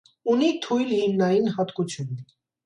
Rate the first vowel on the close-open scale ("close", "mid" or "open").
close